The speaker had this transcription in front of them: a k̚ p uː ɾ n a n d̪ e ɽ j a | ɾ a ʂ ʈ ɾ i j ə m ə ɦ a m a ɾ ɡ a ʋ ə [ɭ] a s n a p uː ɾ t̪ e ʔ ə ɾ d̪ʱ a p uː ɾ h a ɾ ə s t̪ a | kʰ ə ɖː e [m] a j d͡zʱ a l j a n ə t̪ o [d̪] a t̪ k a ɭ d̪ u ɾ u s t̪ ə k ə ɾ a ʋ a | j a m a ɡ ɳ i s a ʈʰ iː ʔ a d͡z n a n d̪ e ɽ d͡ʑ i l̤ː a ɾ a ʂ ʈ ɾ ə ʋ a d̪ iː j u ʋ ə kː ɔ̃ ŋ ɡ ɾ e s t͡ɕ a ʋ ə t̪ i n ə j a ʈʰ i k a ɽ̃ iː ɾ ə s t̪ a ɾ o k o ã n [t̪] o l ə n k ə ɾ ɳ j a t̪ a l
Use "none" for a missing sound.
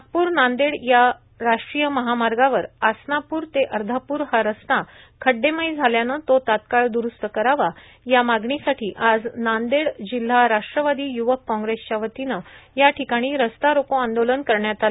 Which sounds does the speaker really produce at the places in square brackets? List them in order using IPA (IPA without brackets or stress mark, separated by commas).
ɾ, m, t̪, d̪